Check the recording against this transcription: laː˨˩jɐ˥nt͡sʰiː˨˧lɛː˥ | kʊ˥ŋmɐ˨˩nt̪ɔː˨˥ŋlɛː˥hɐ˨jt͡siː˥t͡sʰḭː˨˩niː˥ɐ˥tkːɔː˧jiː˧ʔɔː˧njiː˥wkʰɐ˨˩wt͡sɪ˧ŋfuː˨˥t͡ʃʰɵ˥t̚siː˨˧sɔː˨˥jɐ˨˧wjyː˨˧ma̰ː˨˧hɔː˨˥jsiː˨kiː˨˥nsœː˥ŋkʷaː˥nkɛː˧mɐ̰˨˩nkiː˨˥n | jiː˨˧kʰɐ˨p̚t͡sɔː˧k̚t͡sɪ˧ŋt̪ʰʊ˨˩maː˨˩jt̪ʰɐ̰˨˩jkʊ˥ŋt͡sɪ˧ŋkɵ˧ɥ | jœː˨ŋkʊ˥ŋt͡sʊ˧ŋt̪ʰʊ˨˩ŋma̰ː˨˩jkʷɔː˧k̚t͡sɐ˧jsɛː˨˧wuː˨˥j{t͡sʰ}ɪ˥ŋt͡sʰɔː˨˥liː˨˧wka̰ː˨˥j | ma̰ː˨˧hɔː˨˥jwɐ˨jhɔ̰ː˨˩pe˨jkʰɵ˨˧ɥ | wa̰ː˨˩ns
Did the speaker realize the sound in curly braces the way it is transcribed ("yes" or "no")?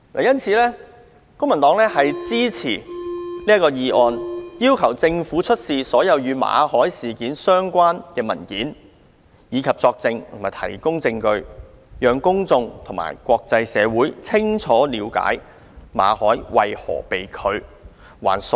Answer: yes